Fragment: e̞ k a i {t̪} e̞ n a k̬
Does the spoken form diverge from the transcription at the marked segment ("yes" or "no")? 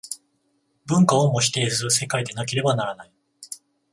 yes